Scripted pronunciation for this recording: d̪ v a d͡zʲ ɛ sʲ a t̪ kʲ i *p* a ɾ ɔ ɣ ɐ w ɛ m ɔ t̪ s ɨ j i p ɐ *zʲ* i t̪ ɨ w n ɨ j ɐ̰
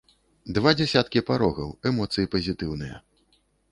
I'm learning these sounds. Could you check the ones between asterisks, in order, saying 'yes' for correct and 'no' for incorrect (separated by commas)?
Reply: yes, yes